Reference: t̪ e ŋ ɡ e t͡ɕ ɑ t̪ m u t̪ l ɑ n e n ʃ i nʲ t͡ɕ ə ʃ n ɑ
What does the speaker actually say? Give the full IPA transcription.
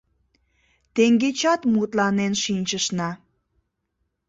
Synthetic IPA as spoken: t̪ e ŋ ɡ e t͡ɕ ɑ t̪ m u t̪ l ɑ n e n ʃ i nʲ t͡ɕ ə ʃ n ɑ